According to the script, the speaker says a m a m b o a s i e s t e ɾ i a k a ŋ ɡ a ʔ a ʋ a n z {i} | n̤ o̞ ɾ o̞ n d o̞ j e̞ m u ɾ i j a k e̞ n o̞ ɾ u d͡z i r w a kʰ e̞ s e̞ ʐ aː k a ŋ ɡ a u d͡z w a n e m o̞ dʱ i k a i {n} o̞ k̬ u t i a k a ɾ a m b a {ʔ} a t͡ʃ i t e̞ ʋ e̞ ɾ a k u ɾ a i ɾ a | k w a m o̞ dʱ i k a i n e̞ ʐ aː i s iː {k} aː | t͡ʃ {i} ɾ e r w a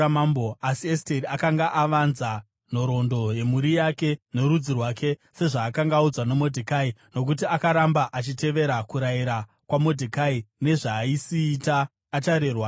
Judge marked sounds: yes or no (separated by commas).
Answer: no, yes, yes, no, no